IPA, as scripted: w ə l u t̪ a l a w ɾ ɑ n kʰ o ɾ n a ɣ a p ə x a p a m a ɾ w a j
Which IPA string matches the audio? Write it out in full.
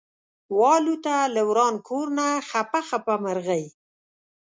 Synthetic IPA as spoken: w ɑ l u t̪ a l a w ɾ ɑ n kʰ o ɾ n a x a p a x a p a m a ɾ ɣ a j